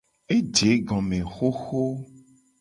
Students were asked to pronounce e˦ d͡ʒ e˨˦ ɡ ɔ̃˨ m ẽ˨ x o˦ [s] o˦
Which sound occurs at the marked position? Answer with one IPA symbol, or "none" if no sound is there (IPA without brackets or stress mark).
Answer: x